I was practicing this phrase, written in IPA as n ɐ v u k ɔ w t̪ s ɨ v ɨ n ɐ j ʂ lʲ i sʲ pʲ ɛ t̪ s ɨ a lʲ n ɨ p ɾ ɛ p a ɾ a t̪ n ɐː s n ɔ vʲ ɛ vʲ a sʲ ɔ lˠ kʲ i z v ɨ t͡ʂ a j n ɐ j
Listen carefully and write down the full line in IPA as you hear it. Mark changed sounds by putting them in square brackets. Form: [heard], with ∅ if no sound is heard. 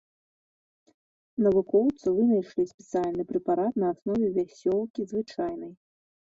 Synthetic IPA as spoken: n ɐ v u k ɔ w t̪ s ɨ v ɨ n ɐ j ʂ lʲ i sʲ pʲ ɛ t̪ s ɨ a lʲ n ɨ p ɾ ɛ p a ɾ a t̪ n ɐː s n ɔ vʲ ɛ vʲ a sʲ ɔ lˠ kʲ i z v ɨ t͡ʂ a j n ɐ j